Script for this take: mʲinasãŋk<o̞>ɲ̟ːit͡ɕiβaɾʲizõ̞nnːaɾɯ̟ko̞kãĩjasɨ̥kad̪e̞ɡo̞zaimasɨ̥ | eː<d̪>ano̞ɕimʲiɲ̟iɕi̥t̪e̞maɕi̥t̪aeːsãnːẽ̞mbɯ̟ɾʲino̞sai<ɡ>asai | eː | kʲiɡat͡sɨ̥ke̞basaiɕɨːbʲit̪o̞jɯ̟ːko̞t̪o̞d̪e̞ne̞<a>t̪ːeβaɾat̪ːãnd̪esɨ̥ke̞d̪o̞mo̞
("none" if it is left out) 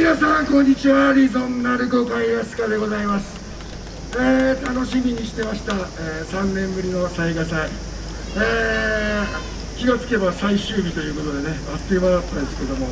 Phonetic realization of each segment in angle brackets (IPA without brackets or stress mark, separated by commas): õ̞, t̪, ɡ, a